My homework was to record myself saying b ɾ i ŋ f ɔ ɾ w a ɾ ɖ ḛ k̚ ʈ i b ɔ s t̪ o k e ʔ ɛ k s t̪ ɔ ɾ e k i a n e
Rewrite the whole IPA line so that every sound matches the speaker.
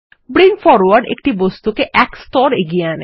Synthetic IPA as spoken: b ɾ i ŋ f ɔ ɾ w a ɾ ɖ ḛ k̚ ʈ i b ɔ s t̪ u k e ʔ ɛ k s t̪ ɔ ɾ e ɡ i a n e

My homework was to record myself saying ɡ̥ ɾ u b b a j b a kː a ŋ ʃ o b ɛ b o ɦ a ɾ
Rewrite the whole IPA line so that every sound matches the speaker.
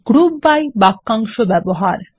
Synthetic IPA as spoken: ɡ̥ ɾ u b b a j b a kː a ŋ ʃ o b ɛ b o ɦ a ɾ

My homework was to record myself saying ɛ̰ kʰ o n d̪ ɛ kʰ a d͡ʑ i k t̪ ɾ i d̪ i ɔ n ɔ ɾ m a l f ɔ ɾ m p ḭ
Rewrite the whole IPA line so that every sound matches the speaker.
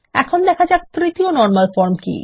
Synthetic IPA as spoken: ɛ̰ kʰ o n d̪ ɛ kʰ a d͡ʑ a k t̪ ɾ i t̪ i o n ɔ ɾ m a l f ɔ ɾ m k ḭ

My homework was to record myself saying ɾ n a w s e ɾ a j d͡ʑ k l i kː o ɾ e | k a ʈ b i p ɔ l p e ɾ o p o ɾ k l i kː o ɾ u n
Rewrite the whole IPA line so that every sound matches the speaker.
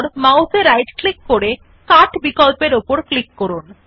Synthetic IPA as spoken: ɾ m a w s e ɾ a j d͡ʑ k l i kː o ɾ e | k a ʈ b i k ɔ l p e ɾ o p o ɾ k l i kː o ɾ u n

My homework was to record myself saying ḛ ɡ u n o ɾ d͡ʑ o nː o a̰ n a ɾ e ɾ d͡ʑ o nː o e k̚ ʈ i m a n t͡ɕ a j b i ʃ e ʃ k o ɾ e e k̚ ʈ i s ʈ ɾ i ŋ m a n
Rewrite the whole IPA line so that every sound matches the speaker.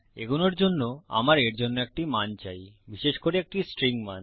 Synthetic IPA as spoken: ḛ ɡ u n o ɾ d͡ʑ o nː o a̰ m a ɾ e ɾ d͡ʑ o nː o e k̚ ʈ i m a n t͡ɕ a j b i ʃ e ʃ k o ɾ e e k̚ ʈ i s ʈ ɾ i ŋ m a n

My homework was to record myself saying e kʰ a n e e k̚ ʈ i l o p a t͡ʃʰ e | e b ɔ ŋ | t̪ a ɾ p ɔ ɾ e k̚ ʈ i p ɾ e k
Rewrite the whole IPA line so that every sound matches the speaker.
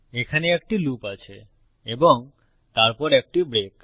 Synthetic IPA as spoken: e kʰ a n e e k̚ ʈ i l u p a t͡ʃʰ e | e b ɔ ŋ | t̪ a ɾ p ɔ ɾ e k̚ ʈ i b ɾ e k

